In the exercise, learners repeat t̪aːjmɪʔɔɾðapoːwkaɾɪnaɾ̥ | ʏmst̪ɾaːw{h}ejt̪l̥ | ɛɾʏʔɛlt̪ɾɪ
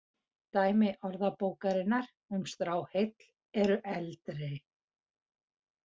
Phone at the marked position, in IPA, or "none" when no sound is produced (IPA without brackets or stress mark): h